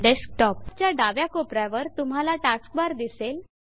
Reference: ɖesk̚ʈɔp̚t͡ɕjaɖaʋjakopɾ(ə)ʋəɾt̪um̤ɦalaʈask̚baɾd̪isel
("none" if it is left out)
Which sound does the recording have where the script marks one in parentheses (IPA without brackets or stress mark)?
a